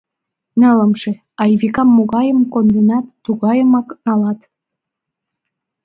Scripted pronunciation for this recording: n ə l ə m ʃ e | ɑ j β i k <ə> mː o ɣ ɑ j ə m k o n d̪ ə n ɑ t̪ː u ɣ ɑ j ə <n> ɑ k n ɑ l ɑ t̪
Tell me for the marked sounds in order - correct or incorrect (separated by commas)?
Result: incorrect, incorrect